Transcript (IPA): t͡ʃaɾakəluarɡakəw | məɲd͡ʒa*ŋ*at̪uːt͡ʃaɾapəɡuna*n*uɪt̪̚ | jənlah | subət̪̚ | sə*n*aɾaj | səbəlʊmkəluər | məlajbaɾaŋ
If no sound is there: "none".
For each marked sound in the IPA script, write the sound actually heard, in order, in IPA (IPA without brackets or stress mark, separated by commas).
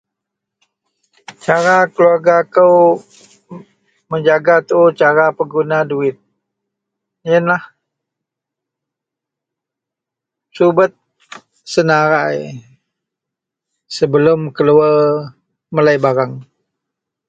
ɡ, d, n